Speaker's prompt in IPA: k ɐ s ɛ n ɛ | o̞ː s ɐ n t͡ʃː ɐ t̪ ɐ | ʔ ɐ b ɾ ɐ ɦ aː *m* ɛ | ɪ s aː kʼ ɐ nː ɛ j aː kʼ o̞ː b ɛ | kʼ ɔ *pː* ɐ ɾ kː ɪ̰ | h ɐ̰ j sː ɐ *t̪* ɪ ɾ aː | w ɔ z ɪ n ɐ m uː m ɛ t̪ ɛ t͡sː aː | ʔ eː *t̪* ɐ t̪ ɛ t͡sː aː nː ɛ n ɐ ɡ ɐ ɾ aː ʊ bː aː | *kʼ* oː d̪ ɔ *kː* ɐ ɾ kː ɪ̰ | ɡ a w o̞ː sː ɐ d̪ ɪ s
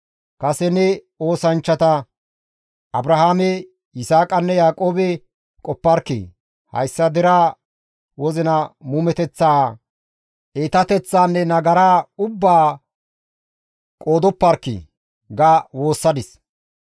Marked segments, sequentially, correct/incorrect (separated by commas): correct, correct, incorrect, correct, correct, incorrect